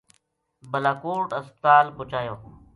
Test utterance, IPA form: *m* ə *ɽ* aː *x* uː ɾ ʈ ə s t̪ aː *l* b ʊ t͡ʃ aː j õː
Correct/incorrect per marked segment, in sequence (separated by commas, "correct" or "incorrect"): incorrect, incorrect, incorrect, correct